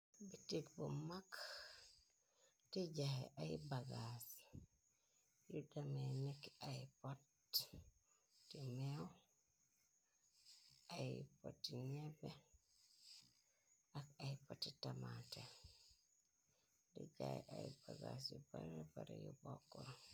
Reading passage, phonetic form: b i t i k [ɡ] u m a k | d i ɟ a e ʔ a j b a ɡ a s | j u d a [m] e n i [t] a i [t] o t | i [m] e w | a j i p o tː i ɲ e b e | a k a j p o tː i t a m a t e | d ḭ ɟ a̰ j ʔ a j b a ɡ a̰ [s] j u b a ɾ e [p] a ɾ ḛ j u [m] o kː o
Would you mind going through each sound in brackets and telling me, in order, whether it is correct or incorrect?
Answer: incorrect: b, correct, incorrect: k, incorrect: p, correct, correct, incorrect: b, incorrect: b

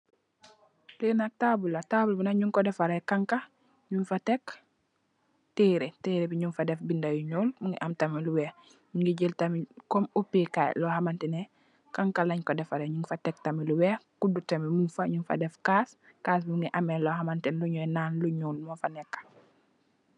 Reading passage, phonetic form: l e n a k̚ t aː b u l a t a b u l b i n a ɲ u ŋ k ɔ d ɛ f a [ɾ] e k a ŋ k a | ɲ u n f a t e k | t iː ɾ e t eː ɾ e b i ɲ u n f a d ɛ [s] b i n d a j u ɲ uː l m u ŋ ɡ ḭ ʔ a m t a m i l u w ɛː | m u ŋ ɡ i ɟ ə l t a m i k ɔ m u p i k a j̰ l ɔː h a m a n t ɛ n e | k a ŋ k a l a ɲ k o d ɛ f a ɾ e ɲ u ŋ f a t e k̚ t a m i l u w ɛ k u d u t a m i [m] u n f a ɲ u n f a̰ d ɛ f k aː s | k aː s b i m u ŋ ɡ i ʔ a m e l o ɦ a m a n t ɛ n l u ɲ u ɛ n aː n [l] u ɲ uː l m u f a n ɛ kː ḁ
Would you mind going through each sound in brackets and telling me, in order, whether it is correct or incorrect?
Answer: correct, incorrect: f, correct, correct

